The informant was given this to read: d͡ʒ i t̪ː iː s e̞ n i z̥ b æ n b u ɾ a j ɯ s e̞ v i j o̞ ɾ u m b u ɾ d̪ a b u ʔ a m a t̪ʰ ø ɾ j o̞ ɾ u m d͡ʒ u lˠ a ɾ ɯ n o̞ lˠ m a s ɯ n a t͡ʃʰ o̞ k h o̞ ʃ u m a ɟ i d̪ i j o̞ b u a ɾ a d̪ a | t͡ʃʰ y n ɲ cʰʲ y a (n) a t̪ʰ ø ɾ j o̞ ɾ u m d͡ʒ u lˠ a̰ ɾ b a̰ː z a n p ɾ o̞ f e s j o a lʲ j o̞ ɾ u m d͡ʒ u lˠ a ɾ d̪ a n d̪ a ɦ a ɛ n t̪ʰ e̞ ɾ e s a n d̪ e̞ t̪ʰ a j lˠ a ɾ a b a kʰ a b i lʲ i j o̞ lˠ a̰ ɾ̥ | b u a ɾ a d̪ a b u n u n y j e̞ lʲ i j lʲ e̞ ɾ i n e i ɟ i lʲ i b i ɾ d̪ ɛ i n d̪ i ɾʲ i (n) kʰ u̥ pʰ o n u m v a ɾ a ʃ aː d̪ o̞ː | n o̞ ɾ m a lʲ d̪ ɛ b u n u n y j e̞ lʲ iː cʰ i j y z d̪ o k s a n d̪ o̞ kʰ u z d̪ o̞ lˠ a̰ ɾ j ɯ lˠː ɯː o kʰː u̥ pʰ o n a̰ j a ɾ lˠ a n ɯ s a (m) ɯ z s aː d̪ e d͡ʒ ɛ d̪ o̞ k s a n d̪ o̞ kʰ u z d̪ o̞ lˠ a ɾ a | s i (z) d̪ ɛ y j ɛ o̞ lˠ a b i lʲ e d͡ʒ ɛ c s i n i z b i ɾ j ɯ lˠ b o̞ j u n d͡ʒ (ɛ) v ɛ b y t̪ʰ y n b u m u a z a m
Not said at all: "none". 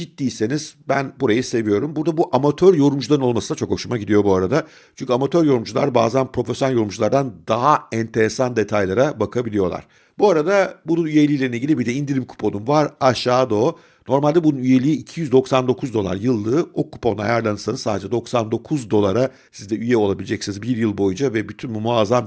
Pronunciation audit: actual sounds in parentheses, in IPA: m, m, n, z, a

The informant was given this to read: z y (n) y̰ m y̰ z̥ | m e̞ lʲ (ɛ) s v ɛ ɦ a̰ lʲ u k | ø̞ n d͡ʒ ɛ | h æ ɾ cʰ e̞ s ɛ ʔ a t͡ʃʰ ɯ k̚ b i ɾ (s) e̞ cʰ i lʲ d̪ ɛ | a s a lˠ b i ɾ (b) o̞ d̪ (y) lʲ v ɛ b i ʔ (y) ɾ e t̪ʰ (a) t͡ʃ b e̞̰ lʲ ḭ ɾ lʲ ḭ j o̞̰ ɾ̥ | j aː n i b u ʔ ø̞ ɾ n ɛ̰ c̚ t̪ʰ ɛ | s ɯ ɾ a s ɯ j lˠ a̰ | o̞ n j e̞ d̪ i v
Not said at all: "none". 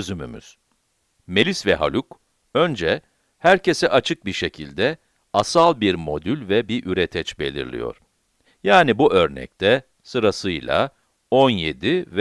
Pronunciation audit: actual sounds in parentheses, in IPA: m, i, ʃ, m, y, y, ɛ

